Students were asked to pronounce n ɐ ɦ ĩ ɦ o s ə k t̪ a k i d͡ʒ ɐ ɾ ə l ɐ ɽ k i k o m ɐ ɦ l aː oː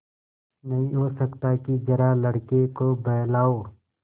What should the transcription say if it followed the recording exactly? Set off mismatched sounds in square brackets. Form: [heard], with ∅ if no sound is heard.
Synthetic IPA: n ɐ ɦ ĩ ɦ o s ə k t̪ a k i d͡ʒ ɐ ɾ [a] l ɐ ɽ k [e] k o [b] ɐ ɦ l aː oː

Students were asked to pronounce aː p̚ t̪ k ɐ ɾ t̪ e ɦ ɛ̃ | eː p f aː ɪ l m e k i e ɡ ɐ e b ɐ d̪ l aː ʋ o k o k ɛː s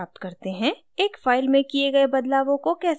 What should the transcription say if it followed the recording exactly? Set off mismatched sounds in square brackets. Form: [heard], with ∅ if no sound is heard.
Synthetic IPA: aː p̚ t̪ k ɐ ɾ t̪ e ɦ ɛ̃ | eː [k] f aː ɪ l m [ẽ] k i e ɡ ɐ e b ɐ d̪ l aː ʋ [õ] k o k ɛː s

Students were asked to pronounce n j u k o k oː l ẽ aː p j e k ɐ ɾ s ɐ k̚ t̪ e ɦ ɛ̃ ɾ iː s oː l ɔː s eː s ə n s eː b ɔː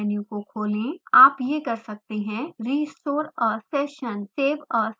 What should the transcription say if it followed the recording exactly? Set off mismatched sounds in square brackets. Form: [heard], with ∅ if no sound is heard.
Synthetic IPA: n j u k o [kʰ] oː l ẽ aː p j e k ɐ ɾ s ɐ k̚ t̪ e ɦ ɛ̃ ɾ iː s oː [ɾ] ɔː s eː [ʃ] ə n s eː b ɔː

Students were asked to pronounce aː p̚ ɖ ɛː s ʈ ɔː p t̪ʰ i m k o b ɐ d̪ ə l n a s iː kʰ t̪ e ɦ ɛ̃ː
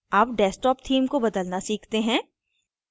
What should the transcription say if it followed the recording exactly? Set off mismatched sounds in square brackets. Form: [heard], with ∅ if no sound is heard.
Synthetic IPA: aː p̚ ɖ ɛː s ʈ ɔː p t̪ʰ [iː] m k o b ɐ d̪ ə l n a s iː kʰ t̪ e ɦ ɛ̃ː

